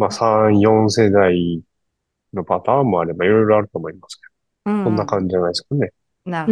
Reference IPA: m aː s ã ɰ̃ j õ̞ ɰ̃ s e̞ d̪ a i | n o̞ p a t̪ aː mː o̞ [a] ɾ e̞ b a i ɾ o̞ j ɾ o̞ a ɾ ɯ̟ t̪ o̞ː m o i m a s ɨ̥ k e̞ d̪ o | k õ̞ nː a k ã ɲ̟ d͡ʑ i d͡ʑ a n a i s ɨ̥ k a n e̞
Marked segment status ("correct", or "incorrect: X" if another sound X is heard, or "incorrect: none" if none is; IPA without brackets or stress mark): correct